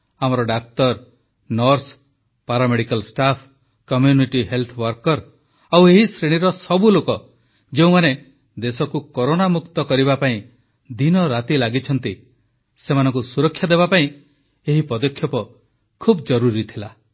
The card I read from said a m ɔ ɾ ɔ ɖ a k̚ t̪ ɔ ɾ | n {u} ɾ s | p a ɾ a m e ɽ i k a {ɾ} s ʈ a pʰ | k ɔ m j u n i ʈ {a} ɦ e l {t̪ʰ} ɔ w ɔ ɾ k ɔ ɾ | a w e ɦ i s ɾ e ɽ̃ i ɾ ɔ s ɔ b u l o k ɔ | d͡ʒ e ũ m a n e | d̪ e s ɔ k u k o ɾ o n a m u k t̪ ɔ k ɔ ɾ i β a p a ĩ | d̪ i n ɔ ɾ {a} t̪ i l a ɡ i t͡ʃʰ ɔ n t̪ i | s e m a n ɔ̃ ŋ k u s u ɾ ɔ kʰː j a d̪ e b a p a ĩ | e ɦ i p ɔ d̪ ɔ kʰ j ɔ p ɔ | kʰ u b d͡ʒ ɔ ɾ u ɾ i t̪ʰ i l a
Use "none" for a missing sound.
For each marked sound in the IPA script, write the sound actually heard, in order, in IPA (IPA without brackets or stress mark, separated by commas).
ɔ, l, i, t̪ʰ, a